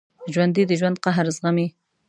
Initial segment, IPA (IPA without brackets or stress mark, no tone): ʒ